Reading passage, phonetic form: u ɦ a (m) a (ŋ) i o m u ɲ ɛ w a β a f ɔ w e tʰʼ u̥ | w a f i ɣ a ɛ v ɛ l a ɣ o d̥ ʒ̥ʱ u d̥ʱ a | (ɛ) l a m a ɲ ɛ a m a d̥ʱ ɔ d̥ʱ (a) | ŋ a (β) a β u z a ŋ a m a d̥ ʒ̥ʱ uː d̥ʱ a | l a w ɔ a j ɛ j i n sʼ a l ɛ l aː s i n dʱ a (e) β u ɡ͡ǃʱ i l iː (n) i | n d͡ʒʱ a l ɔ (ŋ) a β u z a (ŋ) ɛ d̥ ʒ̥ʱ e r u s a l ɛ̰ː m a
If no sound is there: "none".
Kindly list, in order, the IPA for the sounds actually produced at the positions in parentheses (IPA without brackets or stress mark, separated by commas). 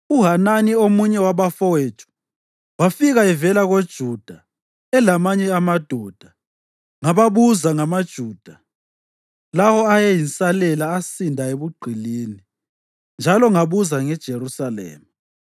n, n, ɛ, a, β, e, n, ŋ, ŋ